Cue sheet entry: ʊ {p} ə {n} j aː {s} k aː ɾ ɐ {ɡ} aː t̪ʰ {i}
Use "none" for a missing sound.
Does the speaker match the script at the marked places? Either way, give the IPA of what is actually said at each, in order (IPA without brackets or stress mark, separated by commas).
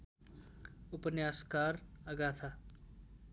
p, n, s, ɡ, a